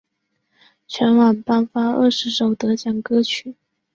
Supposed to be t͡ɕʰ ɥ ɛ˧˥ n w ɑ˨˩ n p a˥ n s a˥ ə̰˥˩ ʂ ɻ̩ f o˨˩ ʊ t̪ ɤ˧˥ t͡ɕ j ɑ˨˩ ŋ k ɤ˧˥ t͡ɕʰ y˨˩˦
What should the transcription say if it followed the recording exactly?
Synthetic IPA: t͡ɕʰ ɥ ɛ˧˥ n w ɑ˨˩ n p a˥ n f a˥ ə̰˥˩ ʂ ɻ̩ ʂ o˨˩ ʊ t̪ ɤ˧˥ t͡ɕ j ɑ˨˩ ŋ k ɤ˥ t͡ɕʰ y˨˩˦